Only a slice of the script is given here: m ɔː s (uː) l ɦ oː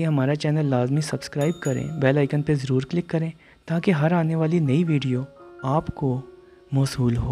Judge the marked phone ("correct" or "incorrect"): correct